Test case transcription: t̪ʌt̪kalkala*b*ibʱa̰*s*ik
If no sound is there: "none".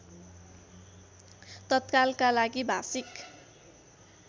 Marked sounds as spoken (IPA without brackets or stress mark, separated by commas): ɡ, s